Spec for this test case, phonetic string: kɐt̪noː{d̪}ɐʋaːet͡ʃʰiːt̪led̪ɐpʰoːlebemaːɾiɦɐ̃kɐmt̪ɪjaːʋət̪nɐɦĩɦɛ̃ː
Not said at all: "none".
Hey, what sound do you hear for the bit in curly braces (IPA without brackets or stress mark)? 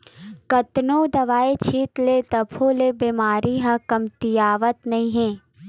d̪